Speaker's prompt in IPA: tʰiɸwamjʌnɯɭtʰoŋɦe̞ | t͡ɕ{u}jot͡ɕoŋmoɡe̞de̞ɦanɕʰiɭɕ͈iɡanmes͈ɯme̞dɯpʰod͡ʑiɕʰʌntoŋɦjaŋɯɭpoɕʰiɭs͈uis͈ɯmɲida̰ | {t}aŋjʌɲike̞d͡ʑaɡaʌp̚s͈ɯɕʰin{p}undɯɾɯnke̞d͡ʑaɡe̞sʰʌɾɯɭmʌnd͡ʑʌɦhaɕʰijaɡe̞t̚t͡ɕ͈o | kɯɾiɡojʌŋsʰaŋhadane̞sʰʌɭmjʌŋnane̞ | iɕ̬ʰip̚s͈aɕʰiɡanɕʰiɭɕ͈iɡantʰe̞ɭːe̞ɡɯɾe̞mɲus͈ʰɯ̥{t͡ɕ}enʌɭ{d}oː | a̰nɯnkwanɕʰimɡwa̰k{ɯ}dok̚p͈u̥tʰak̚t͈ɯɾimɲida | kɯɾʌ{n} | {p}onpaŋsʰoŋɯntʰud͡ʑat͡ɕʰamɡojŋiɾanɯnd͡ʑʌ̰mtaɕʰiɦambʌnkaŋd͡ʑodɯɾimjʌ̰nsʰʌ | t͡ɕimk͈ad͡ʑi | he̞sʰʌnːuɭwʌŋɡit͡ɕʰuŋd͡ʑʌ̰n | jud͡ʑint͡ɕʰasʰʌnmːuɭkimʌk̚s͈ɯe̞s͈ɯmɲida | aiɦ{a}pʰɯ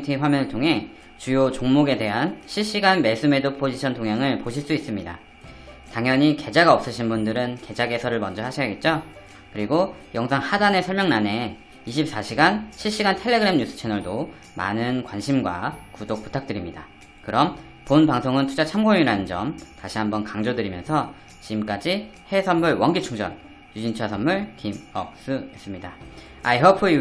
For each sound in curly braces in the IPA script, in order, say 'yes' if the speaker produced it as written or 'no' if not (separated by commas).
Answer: yes, yes, no, no, yes, no, no, yes, no